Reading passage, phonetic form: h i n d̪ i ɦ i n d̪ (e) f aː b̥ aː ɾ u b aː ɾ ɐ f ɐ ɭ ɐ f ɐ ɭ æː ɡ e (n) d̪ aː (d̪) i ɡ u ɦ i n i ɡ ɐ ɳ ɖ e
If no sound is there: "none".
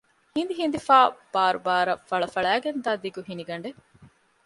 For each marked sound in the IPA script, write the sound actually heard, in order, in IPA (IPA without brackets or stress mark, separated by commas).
i, n, d̪